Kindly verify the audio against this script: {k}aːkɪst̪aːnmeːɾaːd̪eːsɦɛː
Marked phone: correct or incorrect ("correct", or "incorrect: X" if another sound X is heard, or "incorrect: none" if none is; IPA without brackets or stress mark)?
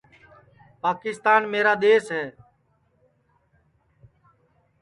incorrect: p